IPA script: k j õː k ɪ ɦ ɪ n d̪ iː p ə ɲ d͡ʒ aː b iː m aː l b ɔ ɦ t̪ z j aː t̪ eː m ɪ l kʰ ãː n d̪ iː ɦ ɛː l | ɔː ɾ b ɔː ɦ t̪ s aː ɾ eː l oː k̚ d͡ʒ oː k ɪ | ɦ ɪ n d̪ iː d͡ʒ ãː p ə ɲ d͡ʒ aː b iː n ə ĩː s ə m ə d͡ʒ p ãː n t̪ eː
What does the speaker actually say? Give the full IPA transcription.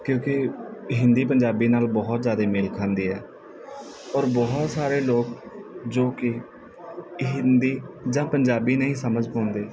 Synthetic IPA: k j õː k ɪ ɦ ɪ n d̪ iː p ə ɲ d͡ʒ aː b iː n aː l b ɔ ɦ t̪ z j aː d̪ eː m ɪ l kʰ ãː n d̪ iː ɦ ɛː | ɔː ɾ b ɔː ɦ t̪ s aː ɾ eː l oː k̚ d͡ʒ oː k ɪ | ɦ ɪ n d̪ iː d͡ʒ ãː p ə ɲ d͡ʒ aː b iː n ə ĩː s ə m ə d͡ʒ p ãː n d̪ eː